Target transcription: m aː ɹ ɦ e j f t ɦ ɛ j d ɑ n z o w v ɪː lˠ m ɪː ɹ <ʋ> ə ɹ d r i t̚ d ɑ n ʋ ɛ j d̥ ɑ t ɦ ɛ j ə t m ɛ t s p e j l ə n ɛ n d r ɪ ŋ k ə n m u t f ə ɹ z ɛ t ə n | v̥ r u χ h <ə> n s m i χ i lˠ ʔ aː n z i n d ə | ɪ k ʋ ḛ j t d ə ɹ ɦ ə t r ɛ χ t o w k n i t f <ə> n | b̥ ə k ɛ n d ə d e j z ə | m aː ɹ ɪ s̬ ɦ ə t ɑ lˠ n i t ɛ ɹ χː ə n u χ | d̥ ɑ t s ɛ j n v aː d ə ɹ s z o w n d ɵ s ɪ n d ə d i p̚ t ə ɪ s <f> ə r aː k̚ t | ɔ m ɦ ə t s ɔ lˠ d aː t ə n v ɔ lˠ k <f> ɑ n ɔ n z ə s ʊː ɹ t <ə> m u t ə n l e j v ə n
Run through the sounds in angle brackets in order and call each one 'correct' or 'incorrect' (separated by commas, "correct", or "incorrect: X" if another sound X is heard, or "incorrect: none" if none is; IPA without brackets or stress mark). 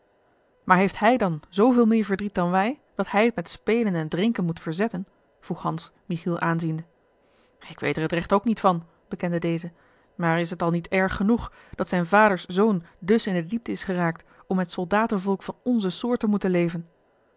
incorrect: v, incorrect: ɑ, incorrect: ɑ, incorrect: χ, correct, correct